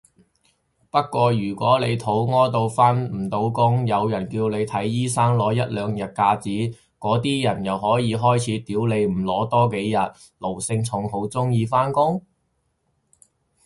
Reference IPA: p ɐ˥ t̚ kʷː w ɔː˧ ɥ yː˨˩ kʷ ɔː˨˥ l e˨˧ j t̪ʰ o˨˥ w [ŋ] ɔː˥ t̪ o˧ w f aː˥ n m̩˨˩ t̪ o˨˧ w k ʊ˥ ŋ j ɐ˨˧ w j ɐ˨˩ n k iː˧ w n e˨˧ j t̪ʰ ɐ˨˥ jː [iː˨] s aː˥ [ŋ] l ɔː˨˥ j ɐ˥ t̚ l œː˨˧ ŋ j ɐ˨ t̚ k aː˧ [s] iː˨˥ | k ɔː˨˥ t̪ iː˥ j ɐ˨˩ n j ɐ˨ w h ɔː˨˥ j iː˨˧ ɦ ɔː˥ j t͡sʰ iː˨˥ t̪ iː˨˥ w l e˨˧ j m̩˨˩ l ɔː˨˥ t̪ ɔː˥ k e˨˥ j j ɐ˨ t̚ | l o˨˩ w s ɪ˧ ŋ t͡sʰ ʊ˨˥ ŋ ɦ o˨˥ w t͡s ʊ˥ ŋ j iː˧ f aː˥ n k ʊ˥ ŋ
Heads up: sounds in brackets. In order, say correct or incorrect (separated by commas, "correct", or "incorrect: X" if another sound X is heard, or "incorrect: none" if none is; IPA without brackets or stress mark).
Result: correct, incorrect: iː˥, correct, incorrect: t͡s